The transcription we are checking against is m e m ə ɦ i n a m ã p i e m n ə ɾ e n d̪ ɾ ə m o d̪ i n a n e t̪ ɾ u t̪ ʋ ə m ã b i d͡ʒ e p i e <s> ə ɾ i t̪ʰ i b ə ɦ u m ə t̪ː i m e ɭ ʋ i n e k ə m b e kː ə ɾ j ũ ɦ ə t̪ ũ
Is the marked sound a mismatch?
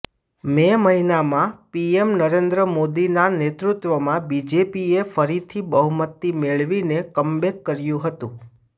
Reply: yes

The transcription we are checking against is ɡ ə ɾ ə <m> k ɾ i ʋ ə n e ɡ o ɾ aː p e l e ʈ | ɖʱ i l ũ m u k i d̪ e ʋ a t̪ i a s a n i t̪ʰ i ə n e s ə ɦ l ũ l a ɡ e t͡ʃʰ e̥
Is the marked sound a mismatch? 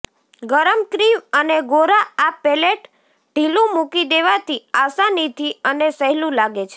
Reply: no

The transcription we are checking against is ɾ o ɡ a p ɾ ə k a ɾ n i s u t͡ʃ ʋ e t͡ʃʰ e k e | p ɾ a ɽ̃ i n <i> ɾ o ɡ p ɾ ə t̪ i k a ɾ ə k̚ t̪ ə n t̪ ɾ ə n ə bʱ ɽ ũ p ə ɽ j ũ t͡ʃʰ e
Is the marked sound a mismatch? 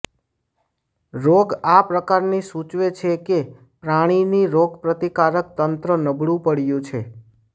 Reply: no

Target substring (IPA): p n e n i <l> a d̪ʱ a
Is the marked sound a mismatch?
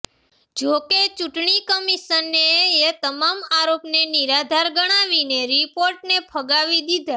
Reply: yes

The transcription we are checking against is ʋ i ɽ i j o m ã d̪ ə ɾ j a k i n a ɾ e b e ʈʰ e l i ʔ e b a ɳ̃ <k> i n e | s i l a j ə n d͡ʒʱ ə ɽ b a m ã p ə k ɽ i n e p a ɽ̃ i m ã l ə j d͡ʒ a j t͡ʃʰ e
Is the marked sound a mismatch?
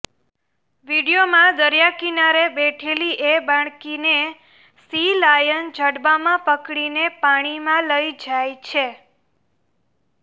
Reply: no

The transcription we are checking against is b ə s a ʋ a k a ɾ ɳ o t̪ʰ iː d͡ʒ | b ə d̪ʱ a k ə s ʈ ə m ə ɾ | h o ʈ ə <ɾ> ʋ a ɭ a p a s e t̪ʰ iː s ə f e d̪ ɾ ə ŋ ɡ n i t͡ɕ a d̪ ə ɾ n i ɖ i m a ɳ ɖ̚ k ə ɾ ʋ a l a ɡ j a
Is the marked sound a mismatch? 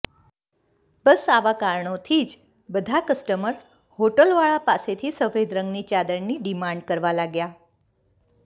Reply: yes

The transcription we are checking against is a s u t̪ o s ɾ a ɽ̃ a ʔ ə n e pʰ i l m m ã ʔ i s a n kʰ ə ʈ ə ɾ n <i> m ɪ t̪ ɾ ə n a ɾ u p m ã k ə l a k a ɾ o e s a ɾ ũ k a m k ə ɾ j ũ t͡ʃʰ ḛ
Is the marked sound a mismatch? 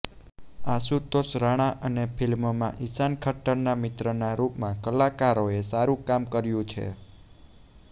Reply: yes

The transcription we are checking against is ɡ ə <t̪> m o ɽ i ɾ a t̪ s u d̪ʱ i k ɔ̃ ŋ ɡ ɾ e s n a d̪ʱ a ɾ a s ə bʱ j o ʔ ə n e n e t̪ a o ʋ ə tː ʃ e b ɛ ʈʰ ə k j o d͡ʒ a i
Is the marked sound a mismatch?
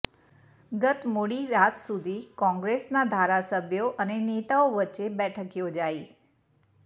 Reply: no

